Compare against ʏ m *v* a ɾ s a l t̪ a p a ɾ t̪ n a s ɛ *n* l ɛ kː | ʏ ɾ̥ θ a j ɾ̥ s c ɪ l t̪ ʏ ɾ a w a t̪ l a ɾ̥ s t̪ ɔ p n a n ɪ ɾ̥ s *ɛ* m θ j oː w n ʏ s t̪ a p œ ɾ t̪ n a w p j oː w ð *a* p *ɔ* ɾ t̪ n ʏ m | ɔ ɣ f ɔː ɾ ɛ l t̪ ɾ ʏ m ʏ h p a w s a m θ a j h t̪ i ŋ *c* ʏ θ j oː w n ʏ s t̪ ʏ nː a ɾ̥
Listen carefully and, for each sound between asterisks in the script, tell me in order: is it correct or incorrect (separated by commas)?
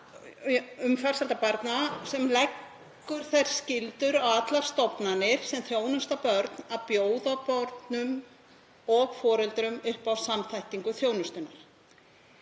incorrect, incorrect, correct, correct, correct, incorrect